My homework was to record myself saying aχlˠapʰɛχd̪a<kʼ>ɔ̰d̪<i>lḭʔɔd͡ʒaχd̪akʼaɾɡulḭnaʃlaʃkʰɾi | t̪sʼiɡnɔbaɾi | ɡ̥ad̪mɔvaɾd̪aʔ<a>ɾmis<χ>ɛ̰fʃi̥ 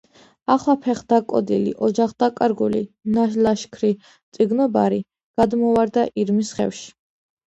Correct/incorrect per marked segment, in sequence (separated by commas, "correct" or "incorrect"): correct, correct, incorrect, correct